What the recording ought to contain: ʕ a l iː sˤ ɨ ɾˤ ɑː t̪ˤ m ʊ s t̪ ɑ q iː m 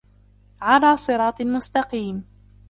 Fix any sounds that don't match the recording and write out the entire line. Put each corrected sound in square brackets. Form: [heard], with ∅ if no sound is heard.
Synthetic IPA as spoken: ʕ a l [aː] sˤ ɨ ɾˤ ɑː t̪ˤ m ʊ s t̪ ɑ q iː m